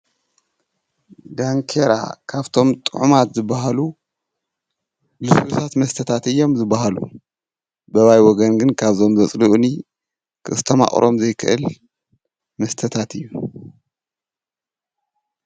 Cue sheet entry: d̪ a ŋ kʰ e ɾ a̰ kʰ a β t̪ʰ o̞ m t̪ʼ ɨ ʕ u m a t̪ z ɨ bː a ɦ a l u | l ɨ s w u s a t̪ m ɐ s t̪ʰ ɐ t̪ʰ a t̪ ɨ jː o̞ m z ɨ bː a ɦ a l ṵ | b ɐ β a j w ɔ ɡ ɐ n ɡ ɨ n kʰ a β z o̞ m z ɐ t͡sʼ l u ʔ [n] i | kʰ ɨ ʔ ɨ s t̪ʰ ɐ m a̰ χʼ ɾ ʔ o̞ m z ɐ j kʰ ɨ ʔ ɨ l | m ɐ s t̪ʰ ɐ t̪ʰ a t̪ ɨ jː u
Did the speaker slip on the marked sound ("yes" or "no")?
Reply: no